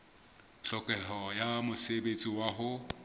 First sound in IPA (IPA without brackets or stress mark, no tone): ɬ